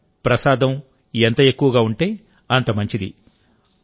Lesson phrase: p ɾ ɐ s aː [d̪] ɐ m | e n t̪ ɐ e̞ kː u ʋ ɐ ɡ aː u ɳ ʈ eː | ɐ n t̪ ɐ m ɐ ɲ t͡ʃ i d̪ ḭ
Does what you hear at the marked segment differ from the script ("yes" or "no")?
no